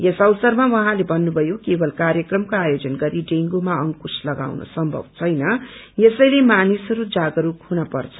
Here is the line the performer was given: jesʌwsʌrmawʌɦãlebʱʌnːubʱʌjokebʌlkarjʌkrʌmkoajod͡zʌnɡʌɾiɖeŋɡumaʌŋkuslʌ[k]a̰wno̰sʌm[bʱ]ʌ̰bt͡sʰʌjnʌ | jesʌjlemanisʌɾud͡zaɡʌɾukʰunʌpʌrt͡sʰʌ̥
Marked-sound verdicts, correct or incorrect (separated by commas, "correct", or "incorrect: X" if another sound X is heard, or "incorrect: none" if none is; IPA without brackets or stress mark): incorrect: ɡ, correct